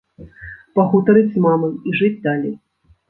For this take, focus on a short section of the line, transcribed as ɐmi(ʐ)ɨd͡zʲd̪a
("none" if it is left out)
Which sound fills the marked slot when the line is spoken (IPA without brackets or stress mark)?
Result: ʐ